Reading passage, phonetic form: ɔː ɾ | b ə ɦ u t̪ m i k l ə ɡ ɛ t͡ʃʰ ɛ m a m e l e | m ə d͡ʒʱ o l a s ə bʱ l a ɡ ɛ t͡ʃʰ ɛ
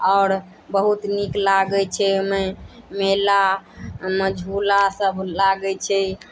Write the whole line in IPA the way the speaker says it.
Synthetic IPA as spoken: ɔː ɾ | b ə ɦ u t̪ n i k l a ɡ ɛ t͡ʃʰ ɛ m e m e l a | m ə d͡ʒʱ u l a s ə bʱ l a ɡ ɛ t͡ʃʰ ɛ